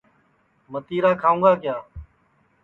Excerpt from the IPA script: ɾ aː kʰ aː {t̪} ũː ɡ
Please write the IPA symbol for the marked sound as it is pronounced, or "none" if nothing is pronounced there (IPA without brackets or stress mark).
none